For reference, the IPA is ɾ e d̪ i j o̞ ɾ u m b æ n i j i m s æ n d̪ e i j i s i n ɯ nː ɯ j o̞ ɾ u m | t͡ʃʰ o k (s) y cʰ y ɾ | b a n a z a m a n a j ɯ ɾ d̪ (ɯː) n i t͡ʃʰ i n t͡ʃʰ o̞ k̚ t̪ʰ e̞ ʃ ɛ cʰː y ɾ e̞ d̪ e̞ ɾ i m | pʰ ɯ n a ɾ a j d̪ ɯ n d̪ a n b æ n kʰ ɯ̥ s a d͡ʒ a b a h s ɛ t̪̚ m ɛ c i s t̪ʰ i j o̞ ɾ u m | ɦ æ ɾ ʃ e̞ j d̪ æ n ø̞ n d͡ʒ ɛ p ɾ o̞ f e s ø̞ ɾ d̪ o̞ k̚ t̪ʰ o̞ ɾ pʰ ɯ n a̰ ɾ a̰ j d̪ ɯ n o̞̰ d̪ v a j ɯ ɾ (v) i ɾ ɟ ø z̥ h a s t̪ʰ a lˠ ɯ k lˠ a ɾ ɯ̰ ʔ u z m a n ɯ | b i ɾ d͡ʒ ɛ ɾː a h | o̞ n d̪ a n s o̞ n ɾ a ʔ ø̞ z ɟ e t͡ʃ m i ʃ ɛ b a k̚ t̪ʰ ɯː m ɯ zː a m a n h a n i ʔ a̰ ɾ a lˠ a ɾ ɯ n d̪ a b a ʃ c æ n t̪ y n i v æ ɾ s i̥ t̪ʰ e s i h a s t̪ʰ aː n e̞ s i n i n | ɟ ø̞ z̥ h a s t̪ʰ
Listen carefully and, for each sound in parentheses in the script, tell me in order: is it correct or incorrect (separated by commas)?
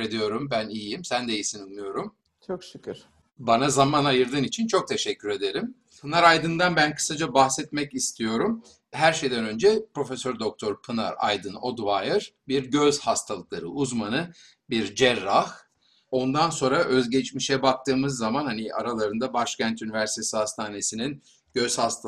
incorrect, incorrect, incorrect